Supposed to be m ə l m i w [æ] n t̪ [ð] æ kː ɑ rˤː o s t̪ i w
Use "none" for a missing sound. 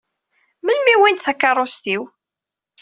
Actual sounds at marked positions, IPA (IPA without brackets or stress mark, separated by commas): i, θ